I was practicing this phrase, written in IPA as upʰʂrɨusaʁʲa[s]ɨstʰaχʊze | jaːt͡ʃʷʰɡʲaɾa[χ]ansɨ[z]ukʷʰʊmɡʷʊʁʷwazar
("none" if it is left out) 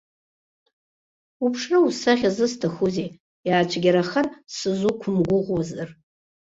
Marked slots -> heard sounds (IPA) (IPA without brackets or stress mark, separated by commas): z, χ, z